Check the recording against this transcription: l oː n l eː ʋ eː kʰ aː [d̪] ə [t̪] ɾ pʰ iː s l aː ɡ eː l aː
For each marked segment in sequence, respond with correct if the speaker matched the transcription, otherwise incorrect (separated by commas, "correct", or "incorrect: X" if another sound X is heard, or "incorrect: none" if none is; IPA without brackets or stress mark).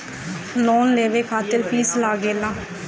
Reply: incorrect: t̪, incorrect: none